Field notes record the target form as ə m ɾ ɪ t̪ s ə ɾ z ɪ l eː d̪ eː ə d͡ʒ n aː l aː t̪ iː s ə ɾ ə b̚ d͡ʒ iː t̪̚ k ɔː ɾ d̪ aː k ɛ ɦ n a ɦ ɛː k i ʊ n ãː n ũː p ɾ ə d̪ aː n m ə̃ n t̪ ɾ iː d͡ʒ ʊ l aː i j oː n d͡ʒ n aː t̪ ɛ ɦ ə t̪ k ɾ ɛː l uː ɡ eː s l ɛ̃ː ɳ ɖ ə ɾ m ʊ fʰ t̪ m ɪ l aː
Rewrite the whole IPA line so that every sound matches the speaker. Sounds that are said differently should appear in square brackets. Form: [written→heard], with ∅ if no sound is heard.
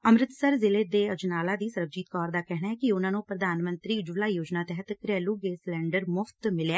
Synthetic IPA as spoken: ə m ɾ ɪ t̪ s ə ɾ z ɪ l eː d̪ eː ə d͡ʒ n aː l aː [t̪→d̪] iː s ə ɾ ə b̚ d͡ʒ iː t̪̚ k ɔː ɾ d̪ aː k ɛ ɦ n a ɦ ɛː k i ʊ n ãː n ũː p ɾ ə d̪ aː n m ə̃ n t̪ ɾ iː d͡ʒ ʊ l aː i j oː [n→∅] d͡ʒ n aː t̪ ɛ ɦ ə t̪ k ɾ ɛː l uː ɡ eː s l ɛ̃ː ɳ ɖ ə ɾ m ʊ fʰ t̪ m ɪ l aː